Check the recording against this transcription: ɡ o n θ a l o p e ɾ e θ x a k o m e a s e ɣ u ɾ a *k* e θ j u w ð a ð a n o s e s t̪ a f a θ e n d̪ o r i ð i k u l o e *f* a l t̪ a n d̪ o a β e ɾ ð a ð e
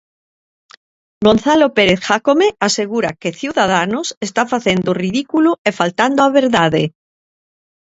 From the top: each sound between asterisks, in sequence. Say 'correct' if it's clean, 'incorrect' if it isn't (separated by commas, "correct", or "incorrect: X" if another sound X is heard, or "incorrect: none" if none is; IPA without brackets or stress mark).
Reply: correct, correct